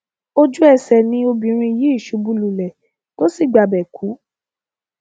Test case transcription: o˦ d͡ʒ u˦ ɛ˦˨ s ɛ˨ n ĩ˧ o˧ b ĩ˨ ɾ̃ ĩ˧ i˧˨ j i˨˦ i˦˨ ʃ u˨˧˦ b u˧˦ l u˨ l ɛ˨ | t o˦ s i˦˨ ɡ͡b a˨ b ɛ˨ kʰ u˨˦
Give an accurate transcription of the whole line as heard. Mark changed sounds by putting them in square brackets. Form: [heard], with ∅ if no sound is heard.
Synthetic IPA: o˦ d͡ʒ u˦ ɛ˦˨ s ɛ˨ n ĩ˧ o˧ b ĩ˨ ɾ̃ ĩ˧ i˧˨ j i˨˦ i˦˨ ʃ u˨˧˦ b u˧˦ l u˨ l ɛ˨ | t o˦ s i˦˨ ɡ͡b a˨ b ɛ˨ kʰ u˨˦